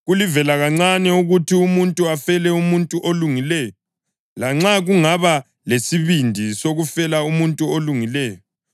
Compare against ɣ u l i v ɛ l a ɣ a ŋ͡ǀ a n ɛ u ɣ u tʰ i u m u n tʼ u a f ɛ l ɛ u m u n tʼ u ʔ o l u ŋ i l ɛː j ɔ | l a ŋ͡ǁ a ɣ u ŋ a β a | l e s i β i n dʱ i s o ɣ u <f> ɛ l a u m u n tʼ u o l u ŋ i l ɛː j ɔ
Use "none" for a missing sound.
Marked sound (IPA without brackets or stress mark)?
f